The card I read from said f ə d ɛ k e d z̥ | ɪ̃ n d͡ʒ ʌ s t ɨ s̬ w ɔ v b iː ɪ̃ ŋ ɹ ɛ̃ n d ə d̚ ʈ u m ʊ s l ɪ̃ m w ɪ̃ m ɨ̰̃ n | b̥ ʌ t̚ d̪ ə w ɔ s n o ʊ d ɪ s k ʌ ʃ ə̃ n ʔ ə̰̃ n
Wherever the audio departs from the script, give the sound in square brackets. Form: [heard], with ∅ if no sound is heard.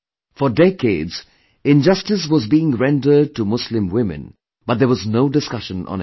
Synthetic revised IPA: f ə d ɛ k e d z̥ | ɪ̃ n d͡ʒ ʌ s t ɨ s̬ w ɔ [z] b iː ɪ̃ ŋ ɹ ɛ̃ n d ə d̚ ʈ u m ʊ s l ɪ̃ m w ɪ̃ m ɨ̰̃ n | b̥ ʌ t̚ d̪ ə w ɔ [z] n o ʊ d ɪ s k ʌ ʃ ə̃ n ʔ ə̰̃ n